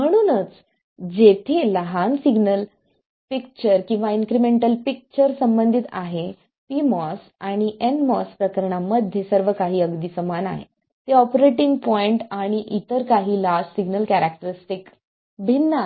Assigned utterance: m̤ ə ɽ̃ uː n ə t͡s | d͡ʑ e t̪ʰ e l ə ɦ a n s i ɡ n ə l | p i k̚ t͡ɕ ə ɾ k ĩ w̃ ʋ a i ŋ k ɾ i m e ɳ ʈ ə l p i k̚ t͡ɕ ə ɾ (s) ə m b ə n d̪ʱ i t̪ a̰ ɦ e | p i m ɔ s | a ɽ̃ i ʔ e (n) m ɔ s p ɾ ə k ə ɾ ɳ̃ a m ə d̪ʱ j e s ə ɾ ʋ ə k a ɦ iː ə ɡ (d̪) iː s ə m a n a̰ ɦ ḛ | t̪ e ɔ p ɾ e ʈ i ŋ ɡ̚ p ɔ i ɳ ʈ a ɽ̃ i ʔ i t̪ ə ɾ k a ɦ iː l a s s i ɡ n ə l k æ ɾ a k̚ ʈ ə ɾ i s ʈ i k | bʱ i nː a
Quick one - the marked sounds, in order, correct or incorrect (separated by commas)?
correct, correct, correct